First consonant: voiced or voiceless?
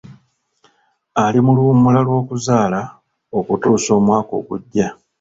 voiced